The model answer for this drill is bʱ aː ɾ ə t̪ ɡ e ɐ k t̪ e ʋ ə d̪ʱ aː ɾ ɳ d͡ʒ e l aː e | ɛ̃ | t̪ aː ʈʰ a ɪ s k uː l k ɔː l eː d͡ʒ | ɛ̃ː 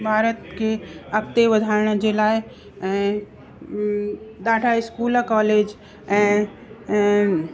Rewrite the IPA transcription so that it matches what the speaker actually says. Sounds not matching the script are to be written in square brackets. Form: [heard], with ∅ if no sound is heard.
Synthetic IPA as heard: bʱ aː ɾ ə t̪ [k] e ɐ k t̪ e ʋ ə d̪ʱ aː ɾ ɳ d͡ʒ e l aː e | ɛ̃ | [d̪] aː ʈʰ a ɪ s k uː l k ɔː l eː d͡ʒ | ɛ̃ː